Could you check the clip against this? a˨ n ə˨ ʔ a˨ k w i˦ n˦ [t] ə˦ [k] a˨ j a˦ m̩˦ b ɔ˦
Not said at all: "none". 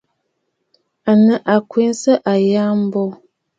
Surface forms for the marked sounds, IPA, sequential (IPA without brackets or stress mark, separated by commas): s, ʔ